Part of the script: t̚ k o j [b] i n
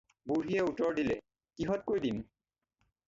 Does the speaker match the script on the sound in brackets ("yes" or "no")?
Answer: no